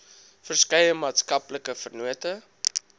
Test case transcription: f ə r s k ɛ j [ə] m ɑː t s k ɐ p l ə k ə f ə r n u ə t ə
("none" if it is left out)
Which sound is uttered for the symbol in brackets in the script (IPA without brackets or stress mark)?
ə